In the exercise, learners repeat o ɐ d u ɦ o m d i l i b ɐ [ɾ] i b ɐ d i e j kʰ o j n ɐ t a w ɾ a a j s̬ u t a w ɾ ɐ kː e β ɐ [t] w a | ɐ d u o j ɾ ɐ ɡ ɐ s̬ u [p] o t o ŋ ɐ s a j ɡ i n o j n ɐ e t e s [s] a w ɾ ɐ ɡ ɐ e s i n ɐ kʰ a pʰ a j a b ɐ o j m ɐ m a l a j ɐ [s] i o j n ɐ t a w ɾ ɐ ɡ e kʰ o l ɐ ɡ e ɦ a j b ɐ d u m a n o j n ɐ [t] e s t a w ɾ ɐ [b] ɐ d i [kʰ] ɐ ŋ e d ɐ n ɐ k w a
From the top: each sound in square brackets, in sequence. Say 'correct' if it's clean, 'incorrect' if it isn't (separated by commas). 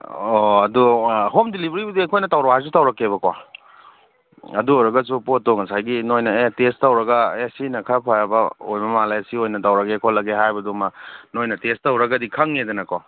correct, incorrect, correct, incorrect, correct, correct, incorrect, correct